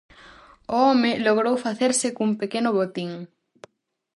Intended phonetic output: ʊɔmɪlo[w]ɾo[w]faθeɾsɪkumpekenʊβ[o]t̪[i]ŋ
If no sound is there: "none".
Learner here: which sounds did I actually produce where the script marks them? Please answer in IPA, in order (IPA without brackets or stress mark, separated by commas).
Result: ɣ, w, o, i